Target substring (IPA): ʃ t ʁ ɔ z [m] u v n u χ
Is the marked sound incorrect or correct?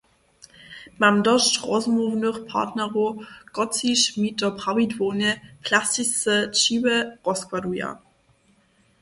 correct